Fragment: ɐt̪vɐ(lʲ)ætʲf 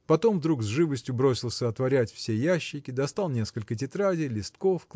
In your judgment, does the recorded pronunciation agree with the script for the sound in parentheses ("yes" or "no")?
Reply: no